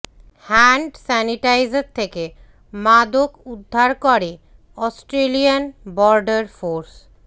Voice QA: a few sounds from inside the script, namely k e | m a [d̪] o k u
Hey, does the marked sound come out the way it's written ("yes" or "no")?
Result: yes